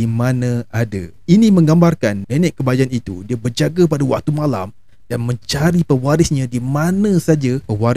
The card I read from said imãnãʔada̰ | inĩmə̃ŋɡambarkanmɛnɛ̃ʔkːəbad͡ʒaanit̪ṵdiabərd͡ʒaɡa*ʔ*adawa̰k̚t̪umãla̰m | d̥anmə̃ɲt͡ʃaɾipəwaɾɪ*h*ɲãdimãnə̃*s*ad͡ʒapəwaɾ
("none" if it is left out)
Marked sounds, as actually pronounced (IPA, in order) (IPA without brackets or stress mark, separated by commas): p, s, s